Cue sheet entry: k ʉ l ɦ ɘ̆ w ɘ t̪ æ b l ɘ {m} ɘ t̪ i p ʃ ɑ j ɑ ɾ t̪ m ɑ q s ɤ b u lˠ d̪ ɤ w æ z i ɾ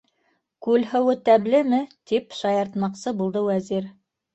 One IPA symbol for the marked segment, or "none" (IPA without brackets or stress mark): m